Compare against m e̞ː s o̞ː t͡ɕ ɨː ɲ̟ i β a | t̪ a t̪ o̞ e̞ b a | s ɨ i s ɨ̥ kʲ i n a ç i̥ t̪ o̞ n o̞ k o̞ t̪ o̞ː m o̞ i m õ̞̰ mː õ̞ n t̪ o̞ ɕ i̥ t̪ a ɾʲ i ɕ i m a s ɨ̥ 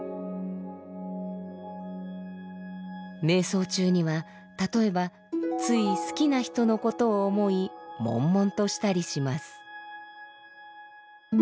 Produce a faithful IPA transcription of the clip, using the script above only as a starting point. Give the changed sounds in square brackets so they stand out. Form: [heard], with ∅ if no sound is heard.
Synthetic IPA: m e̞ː s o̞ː t͡ɕ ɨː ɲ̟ i β a | t̪ a t̪ o̞ e̞ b a | [t͡s] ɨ i s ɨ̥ kʲ i n a ç i̥ t̪ o̞ n o̞ k o̞ t̪ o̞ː m o̞ i m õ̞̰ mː õ̞ n t̪ o̞ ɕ i̥ t̪ a ɾʲ i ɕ i m a s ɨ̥